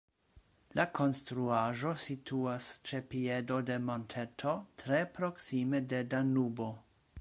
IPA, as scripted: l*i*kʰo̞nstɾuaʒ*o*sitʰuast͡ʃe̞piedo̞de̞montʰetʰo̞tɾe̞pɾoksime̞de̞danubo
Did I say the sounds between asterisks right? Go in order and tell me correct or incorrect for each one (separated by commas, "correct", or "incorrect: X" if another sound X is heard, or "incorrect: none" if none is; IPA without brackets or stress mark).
incorrect: a, correct